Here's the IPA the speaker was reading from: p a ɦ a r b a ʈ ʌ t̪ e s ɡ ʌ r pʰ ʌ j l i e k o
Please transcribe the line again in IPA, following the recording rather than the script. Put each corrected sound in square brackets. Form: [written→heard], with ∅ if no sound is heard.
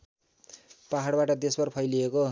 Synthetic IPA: p a ɦ a [r→ɽ] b a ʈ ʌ [t̪→d̪] e s [ɡ→b] ʌ r pʰ ʌ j l i e k o